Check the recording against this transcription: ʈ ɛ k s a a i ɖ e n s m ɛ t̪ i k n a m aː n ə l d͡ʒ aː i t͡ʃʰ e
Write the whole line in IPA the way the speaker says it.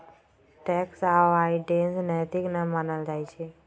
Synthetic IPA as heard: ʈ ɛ k s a a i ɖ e n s n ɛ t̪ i k n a m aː n ə l d͡ʒ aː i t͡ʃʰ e

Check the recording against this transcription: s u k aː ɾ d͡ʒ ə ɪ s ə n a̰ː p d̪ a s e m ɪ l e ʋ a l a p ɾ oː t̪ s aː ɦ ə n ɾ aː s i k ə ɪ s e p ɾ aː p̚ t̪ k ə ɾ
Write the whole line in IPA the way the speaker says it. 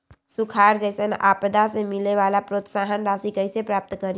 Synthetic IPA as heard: s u kʰ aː ɾ d͡ʒ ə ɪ s ə n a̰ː p d̪ a s e m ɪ l e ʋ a l a p ɾ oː t̪ s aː ɦ ə n ɾ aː s i k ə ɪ s e p ɾ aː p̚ t̪ k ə ɾ

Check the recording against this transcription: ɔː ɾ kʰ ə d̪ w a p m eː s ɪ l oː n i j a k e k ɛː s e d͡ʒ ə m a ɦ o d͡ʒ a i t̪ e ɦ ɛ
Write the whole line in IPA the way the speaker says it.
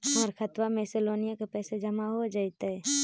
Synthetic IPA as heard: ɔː ɾ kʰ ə t̪ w a m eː s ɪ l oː n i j a k e p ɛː s e d͡ʒ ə m a ɦ o d͡ʒ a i t̪ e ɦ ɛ

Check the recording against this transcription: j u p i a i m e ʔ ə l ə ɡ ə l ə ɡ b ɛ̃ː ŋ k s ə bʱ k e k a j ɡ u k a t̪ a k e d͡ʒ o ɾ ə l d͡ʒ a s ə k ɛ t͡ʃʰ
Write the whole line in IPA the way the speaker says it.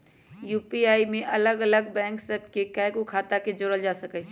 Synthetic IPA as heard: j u p i a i m e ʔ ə l ə ɡ ə l ə ɡ b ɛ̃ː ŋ k s ə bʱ k e k a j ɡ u kʰ a t̪ a k e d͡ʒ o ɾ ə l d͡ʒ a s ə k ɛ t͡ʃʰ

